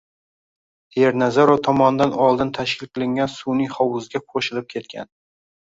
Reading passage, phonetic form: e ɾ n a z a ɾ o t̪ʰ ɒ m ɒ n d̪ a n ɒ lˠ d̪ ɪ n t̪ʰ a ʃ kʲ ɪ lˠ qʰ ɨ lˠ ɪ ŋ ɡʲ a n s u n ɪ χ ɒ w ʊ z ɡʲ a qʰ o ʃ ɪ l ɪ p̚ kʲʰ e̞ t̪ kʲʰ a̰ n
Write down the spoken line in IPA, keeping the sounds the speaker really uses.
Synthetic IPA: e ɾ n a z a ɾ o t̪ʰ ɒ m ɒ n d̪ a n ɒ lˠ d̪ ɪ n t̪ʰ a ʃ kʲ ɪ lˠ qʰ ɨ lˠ ɪ ŋ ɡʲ a n s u n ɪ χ ɒ w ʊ z ɡʲ a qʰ o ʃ ɪ l ɪ p̚ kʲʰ e̞ t̪ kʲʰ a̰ n